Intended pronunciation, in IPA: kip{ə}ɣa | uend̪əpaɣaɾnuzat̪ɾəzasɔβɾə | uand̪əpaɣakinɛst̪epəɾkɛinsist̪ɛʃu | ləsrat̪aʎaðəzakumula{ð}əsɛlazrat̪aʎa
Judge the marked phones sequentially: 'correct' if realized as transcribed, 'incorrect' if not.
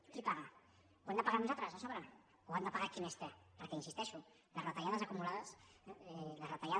incorrect, correct

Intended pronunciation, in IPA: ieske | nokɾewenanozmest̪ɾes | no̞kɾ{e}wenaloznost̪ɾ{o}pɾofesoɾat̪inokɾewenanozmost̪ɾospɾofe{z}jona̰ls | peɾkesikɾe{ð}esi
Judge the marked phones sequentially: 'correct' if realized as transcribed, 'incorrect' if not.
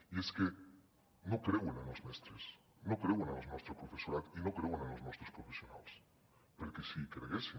correct, correct, incorrect, incorrect

